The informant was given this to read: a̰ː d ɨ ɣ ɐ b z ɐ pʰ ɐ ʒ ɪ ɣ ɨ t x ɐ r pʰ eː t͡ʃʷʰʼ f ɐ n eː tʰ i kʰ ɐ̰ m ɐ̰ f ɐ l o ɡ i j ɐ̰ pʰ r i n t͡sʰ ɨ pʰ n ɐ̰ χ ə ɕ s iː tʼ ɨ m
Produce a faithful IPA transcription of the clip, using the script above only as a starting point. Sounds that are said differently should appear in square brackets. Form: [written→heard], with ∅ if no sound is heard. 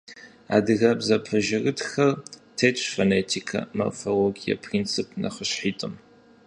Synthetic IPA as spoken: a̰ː d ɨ ɣ ɐ b z ɐ pʰ ɐ ʒ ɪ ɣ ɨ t x ɐ r [pʰ→tʰ] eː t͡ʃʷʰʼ f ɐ n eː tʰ i kʰ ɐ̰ m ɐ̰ f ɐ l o ɡ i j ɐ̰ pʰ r i n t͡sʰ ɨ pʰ n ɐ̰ χ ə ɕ [s→ħ] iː tʼ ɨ m